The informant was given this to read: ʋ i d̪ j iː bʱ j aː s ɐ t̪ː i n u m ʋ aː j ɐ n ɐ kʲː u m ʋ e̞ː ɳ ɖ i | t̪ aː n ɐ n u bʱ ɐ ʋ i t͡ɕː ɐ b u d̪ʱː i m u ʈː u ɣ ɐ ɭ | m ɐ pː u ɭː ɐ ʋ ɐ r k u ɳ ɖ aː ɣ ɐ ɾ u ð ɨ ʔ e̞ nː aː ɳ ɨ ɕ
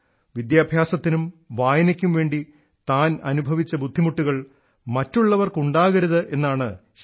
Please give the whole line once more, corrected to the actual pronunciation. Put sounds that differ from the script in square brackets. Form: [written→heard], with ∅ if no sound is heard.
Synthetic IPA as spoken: ʋ i d̪ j [iː→aː] bʱ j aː s ɐ t̪ː i n u m ʋ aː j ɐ n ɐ kʲː u m ʋ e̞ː ɳ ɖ i | t̪ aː n ɐ n u bʱ ɐ ʋ i t͡ɕː ɐ b u d̪ʱː i m u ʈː u ɣ ɐ ɭ | m ɐ [pː→tː] u ɭː ɐ ʋ ɐ r k u ɳ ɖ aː ɣ ɐ ɾ u ð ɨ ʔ e̞ nː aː ɳ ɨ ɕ